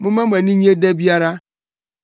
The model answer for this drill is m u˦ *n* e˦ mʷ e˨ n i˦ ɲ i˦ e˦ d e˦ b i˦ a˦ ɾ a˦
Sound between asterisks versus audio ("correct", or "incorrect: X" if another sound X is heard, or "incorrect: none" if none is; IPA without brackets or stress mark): incorrect: m